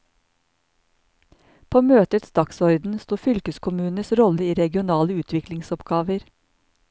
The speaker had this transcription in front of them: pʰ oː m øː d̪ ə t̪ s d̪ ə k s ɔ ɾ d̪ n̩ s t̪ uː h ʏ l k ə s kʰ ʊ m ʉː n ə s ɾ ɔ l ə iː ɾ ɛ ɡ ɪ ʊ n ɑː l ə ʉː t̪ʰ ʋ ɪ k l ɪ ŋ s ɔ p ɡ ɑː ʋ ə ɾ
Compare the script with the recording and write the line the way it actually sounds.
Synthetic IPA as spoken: pʰ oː m øː t̪ ə t̪ s d̪ ɑ k s ɔ ɾ d̪ n̩ s t̪ uː f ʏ l k ə s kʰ ʊ m ʉː n ə s ɾ ɔ l ə iː ɾ ɛ ɡ ɪ ʊ n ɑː l ə ʉː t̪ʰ ʋ ɪ k l ɪ ŋ s ɔ p ɡ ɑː ʋ ə ɾ